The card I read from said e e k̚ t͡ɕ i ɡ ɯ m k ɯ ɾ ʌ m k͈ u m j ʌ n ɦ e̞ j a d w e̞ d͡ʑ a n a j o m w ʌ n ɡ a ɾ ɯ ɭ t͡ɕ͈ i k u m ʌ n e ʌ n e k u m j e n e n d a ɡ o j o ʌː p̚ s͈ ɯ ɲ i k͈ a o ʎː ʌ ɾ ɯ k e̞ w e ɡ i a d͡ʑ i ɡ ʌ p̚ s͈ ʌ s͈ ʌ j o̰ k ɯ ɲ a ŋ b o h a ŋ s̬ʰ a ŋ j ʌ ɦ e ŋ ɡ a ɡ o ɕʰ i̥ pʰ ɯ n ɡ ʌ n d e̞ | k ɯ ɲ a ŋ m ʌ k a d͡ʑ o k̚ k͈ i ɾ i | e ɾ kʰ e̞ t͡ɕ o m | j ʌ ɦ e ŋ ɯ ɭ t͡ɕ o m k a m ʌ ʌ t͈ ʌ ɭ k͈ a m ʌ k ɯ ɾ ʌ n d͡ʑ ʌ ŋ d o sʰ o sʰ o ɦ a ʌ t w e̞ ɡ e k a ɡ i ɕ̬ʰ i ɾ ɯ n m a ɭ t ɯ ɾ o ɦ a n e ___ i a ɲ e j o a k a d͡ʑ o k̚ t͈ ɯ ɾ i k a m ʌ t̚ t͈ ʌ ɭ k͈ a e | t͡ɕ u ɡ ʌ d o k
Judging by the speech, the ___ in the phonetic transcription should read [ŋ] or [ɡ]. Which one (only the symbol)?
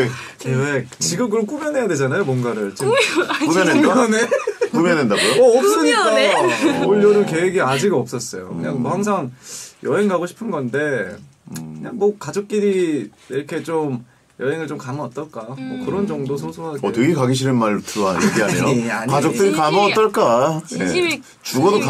ɡ